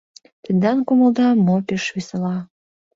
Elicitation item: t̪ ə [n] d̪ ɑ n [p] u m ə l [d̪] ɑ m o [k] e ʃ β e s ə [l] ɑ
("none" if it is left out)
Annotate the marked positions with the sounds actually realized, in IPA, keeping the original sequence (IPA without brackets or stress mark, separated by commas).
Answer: n, k, d̪, p, l